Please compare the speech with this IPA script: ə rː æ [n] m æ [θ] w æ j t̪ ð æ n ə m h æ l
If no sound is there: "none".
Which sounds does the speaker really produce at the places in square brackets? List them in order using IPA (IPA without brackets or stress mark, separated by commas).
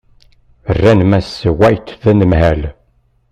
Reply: n, s